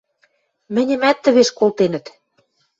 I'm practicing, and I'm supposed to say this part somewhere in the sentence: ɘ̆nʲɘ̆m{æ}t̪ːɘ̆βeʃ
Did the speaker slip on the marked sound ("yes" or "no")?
no